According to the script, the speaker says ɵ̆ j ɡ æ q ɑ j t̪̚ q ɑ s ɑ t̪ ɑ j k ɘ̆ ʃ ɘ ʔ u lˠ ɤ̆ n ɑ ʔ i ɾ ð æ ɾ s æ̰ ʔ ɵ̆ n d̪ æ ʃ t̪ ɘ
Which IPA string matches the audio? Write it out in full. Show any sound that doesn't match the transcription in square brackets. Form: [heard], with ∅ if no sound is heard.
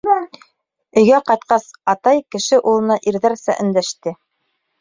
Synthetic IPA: ɵ̆ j ɡ æ q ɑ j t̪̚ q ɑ s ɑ t̪ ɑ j k ɘ̆ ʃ ɘ ʔ u lˠ ɤ̆ n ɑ ʔ i ɾ ð æ ɾ s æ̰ ʔ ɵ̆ n d̪ æ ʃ t̪ ɘ